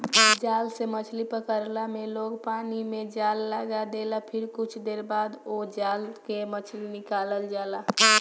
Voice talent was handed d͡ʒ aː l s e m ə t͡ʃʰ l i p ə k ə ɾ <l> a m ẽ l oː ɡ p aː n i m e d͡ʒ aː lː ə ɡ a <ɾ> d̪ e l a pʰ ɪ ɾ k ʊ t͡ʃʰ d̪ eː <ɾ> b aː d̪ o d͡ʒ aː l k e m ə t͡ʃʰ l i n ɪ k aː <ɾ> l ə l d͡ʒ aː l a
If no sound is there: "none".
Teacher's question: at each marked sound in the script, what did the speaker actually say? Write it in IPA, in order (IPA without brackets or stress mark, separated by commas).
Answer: l, none, ɾ, none